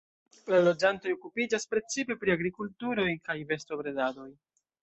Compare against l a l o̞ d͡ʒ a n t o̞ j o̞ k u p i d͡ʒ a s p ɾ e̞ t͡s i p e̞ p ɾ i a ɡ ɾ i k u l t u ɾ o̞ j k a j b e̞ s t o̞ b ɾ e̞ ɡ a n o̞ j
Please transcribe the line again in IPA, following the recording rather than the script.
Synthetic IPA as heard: l a l o̞ d͡ʒ a n t o̞ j o̞ k u p i d͡ʒ a s p ɾ e̞ t͡s i p e̞ p ɾ i a ɡ ɾ i k u l t u ɾ o̞ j k a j v e̞ s t o̞ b ɾ e̞ d a d o̞ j